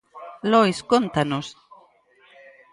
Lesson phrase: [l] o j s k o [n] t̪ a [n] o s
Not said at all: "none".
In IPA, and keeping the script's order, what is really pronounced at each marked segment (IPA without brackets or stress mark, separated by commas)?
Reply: l, n, n